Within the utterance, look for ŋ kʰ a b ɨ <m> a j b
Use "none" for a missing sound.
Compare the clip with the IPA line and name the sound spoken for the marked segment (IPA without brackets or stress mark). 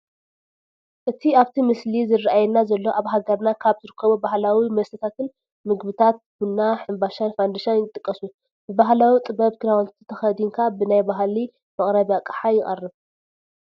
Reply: n